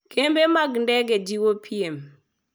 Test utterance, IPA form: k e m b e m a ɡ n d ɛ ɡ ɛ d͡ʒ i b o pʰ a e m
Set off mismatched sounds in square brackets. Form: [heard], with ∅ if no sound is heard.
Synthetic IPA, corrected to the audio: k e m b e m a ɡ n d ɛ ɡ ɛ d͡ʒ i [w] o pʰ [i] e m